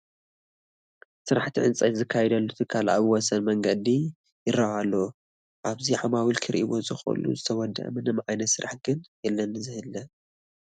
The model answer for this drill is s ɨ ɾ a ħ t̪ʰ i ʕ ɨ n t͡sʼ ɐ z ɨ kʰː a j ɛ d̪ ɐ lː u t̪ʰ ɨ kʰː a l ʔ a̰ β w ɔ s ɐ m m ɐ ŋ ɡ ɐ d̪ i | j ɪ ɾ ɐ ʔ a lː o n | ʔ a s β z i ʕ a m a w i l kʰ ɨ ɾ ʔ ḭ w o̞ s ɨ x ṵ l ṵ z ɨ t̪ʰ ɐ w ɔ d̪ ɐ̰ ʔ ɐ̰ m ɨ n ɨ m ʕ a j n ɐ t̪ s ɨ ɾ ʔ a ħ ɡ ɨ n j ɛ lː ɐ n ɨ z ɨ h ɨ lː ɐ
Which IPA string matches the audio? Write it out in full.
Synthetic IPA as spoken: s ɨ ɾ a ħ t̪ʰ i ʕ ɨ n t͡sʼ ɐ z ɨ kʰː a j ɛ d̪ ɐ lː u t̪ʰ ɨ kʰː a l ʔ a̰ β w ɔ s ɐ n m ɐ ŋ ɡ ɐ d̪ i | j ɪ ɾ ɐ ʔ a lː o | ʔ a β z i ʕ a m a w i l kʰ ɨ ɾ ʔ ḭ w o̞ z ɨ x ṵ l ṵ z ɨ t̪ʰ ɐ w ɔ d̪ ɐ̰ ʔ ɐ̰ m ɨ n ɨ m ʕ a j n ɐ t̪ s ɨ ɾ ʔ a ħ ɡ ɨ n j ɛ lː ɐ n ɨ z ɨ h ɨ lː ɐ